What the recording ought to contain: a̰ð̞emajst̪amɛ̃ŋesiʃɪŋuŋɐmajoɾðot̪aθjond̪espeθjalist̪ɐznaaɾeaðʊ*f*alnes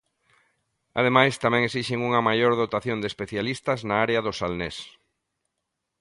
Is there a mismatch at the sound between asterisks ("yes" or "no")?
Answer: yes